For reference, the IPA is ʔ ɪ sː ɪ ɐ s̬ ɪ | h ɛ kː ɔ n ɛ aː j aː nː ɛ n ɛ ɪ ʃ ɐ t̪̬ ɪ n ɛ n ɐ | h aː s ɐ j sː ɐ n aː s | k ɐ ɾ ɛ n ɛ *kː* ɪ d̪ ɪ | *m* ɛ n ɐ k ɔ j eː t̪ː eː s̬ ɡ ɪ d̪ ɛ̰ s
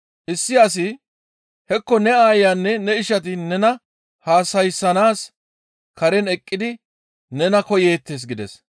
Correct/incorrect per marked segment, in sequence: incorrect: kʼː, incorrect: n

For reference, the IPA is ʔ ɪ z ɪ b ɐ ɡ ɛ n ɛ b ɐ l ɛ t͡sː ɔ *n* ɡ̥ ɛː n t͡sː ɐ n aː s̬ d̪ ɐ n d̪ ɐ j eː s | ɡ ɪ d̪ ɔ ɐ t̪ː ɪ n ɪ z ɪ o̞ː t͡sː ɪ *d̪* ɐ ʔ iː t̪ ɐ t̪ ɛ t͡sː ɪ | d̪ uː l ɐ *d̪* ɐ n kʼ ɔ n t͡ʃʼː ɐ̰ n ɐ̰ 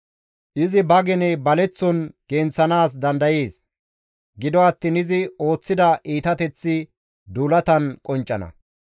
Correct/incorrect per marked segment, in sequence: correct, correct, incorrect: t̪

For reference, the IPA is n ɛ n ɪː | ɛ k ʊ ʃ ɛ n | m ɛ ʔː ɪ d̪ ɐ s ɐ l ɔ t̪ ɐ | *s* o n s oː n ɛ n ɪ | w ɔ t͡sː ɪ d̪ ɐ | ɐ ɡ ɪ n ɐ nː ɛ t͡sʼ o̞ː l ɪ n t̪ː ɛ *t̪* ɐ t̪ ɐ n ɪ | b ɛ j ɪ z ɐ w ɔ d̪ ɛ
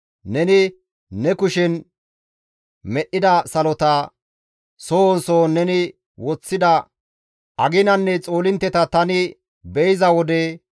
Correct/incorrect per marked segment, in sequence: correct, correct

